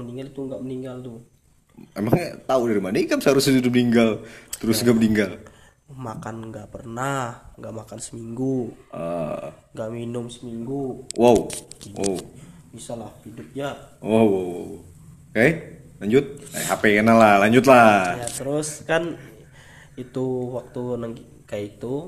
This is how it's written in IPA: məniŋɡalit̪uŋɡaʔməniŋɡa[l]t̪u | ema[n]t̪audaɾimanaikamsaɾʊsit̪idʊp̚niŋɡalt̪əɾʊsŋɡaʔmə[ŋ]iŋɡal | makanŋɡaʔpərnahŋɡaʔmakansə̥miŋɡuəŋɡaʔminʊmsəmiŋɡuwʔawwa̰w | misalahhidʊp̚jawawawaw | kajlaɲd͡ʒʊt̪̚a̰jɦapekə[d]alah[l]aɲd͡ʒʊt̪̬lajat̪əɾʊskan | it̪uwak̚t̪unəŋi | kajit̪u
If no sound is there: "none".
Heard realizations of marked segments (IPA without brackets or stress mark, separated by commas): l, ŋ, n, n, l